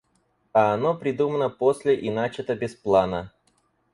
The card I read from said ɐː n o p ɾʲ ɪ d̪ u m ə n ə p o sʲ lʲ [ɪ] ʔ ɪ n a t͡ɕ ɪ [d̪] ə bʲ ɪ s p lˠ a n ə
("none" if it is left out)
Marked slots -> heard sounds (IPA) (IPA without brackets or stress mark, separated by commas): ɪ, t̪